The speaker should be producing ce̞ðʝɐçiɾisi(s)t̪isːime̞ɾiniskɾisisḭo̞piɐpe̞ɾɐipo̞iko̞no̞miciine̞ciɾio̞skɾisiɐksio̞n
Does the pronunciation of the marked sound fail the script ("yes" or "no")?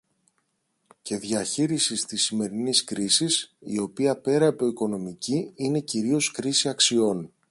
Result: no